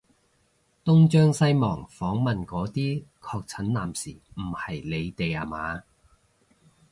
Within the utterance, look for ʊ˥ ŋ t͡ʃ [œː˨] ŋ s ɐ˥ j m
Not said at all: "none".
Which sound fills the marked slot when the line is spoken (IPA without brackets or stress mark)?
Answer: œː˥